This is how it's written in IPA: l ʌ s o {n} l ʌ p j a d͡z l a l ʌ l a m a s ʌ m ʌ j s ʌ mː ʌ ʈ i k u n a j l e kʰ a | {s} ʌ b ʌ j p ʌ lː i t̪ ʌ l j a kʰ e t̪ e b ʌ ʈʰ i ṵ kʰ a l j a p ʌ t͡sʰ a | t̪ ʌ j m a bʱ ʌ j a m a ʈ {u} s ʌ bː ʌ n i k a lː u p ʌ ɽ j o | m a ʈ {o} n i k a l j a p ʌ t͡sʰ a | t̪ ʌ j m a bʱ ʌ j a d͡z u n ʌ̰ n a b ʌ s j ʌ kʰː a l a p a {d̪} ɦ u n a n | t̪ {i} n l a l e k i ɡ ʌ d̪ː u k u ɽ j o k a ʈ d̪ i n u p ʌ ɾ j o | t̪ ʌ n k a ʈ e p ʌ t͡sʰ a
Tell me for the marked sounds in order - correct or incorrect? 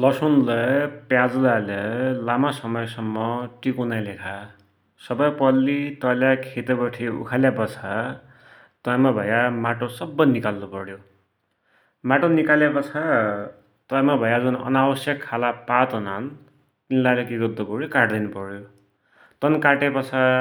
correct, correct, incorrect, correct, incorrect, correct

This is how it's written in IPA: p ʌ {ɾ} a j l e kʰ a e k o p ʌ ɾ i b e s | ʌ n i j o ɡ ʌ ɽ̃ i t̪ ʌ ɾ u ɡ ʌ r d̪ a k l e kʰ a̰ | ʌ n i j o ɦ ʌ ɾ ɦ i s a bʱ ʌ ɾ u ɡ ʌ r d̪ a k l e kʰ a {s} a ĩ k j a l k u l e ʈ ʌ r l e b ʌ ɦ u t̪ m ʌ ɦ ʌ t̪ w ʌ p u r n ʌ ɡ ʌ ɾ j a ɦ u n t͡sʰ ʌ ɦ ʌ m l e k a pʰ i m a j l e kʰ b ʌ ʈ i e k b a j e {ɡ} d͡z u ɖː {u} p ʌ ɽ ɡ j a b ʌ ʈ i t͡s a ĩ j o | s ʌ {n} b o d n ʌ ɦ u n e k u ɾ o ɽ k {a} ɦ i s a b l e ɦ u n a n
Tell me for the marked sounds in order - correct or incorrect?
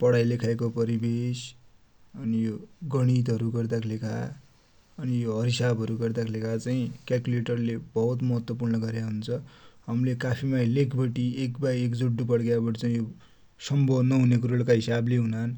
incorrect, incorrect, incorrect, correct, incorrect, correct

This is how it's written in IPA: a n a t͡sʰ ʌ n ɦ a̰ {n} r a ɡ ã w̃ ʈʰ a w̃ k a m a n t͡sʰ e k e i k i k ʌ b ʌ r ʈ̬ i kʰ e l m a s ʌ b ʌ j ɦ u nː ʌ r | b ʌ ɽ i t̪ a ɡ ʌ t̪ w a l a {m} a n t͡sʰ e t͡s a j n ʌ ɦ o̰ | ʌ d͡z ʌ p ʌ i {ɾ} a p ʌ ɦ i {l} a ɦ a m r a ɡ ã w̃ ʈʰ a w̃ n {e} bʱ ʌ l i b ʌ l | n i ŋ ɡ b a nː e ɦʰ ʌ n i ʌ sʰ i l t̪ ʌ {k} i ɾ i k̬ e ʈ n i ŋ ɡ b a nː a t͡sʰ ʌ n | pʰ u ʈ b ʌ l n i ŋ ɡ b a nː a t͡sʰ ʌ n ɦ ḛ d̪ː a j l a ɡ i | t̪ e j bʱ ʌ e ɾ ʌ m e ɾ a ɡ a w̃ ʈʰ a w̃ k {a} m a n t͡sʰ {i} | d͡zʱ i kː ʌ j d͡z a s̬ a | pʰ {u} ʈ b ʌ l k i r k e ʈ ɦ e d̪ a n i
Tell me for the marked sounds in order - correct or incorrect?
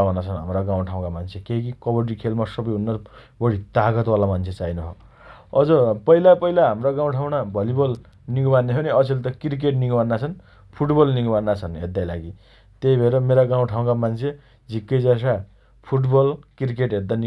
incorrect, correct, incorrect, correct, incorrect, correct, correct, incorrect, correct

